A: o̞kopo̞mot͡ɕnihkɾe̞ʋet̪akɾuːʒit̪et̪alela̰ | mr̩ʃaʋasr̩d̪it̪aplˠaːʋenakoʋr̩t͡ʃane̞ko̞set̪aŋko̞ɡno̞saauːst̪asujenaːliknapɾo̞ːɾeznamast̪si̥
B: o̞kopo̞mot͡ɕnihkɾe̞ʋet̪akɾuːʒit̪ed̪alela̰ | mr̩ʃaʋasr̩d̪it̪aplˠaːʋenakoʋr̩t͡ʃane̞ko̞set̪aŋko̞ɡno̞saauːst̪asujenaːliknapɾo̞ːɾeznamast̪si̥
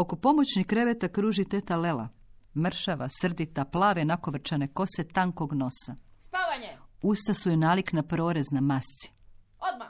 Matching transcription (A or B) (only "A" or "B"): A